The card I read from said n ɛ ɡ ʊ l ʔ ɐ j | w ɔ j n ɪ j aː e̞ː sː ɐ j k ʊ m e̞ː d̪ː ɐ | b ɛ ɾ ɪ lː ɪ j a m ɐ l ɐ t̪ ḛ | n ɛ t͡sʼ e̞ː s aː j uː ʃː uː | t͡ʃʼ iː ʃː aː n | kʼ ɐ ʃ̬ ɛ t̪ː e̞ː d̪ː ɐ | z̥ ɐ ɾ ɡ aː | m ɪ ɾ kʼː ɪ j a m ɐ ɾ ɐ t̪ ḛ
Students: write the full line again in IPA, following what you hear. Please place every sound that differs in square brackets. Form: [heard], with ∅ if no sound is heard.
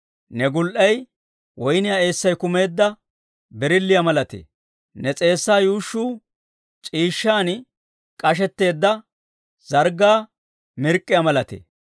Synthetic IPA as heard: n ɛ ɡ ʊ l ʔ ɐ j | w ɔ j n ɪ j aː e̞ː sː ɐ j k ʊ m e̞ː d̪ː ɐ | b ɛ ɾ ɪ lː ɪ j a m ɐ l ɐ t̪ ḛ | n ɛ t͡sʼ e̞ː [sː] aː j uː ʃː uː | t͡ʃʼ iː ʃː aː n | kʼ ɐ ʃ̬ ɛ t̪ː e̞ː d̪ː ɐ | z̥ ɐ ɾ ɡ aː | m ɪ ɾ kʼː ɪ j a m ɐ [l] ɐ t̪ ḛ

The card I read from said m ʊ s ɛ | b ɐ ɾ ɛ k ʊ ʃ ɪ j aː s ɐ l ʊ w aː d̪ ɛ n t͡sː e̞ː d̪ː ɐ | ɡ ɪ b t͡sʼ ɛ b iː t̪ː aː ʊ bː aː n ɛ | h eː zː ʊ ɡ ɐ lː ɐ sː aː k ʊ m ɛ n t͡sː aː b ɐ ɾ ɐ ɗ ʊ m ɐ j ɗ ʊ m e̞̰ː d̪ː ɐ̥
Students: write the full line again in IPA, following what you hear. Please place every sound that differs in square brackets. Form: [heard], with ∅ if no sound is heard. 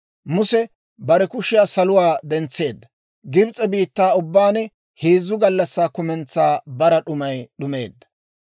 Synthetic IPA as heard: m ʊ s ɛ | b ɐ ɾ ɛ k ʊ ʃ ɪ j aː s ɐ l ʊ w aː d̪ ɛ n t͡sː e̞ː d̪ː ɐ | ɡ ɪ b t͡sʼ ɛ b iː t̪ː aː ʊ bː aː n ɛ | h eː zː ʊ ɡ ɐ lː ɐ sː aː k ʊ m ɛ n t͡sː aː b ɐ ɾ ɐ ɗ ʊ m ɐ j ɗ ʊ m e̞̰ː d̪ː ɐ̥

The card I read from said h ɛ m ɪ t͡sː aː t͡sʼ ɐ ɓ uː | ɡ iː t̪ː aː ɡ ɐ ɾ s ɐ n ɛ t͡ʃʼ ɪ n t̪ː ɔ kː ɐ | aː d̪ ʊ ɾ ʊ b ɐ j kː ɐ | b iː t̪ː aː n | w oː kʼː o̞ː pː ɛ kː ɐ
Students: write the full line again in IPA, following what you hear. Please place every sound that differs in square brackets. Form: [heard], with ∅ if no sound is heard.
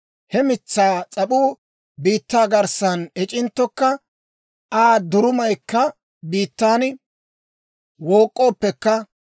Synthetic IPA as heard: h ɛ m ɪ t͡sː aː t͡sʼ ɐ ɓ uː | [b] iː t̪ː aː ɡ ɐ ɾ s ɐ n ɛ t͡ʃʼ ɪ n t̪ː ɔ kː ɐ | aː d̪ ʊ ɾ ʊ [m] ɐ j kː ɐ | b iː t̪ː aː n | w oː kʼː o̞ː pː ɛ kː ɐ

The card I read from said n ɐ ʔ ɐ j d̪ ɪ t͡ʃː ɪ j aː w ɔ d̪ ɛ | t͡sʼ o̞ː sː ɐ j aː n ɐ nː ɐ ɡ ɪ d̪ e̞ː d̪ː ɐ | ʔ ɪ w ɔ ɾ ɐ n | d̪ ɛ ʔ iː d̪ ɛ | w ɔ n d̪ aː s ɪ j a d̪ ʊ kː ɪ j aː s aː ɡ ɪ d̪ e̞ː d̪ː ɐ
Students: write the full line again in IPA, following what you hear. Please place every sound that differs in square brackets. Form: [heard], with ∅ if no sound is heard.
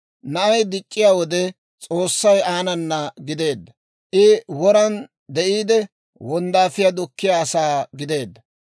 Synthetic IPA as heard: n ɐ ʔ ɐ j d̪ ɪ [t͡ʃʼː] ɪ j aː w ɔ d̪ ɛ | t͡sʼ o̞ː sː ɐ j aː n ɐ nː ɐ ɡ ɪ d̪ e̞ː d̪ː ɐ | ʔ ɪ w ɔ ɾ ɐ n | d̪ ɛ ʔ iː d̪ ɛ | w ɔ n d̪ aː [f] ɪ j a d̪ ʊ kː ɪ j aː s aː ɡ ɪ d̪ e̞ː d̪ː ɐ

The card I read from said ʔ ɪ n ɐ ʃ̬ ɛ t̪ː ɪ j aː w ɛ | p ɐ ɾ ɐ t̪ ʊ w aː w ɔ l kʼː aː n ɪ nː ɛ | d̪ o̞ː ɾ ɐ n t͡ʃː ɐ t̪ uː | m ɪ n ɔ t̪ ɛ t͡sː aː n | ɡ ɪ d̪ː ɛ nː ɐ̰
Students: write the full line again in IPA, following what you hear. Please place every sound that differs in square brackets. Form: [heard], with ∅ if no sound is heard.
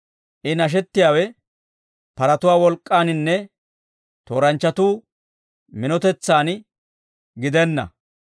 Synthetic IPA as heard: ʔ ɪ n ɐ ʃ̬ ɛ t̪ː ɪ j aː w ɛ | p ɐ ɾ ɐ t̪ ʊ w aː w ɔ l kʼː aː n ɪ nː ɛ | [t̪] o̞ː ɾ ɐ n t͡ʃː ɐ t̪ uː | m ɪ n ɔ t̪ ɛ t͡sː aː n | ɡ ɪ [d̪] ɛ nː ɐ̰

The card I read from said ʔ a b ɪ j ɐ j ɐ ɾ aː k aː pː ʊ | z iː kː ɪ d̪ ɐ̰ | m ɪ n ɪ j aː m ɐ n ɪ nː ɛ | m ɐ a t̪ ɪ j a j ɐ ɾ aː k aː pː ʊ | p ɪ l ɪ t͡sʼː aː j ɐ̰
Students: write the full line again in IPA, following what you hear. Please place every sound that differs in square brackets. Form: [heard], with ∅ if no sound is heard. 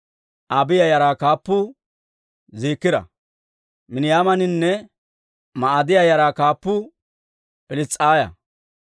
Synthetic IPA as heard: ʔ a b ɪ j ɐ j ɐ ɾ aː k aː pː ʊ | z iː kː ɪ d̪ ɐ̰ | m ɪ n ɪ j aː m ɐ n ɪ nː ɛ | m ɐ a [d̪] ɪ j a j ɐ ɾ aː k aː pː ʊ | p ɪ l ɪ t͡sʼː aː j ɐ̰

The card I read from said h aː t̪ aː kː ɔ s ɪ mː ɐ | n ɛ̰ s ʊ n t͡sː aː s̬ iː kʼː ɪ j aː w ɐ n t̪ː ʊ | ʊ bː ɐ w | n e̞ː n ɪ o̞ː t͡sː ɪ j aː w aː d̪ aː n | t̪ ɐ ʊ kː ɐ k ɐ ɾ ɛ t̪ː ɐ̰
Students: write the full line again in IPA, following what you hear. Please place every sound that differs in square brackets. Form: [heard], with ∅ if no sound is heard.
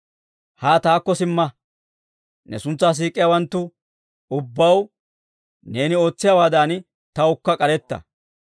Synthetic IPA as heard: h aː t̪ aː kː ɔ s ɪ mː ɐ | n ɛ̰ s ʊ n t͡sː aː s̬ iː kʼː ɪ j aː w ɐ n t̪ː ʊ | ʊ bː ɐ w | n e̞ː n ɪ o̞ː t͡sː ɪ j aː w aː d̪ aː n | t̪ ɐ ʊ kː ɐ [kʼ] ɐ ɾ ɛ t̪ː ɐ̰

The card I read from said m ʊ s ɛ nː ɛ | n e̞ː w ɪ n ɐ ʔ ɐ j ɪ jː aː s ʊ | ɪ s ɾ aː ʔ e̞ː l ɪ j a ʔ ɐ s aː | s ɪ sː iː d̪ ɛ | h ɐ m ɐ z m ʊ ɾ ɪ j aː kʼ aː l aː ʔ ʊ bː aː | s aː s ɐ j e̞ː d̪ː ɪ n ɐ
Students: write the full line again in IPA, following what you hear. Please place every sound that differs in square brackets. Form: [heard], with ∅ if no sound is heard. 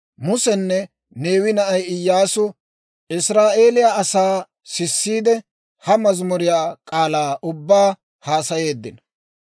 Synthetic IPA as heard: m ʊ s ɛ nː ɛ | n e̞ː w ɪ n ɐ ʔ ɐ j ɪ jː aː s ʊ | ɪ s ɾ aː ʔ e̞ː l ɪ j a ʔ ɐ s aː | s ɪ sː iː d̪ ɛ | h ɐ m ɐ z m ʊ ɾ ɪ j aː kʼ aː l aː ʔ ʊ bː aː | [h] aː s ɐ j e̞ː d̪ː ɪ n ɐ

